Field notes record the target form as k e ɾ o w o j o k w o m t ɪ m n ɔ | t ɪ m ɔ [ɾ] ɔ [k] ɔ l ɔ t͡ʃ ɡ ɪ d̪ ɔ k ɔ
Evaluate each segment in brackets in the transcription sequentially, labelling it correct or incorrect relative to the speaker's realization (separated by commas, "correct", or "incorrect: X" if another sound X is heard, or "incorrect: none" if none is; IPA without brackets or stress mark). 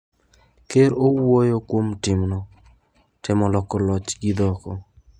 incorrect: l, correct